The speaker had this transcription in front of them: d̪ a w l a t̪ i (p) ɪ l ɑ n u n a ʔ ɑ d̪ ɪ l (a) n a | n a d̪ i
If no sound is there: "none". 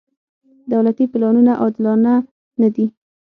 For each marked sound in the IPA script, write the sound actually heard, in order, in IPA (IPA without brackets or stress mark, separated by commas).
p, ɑ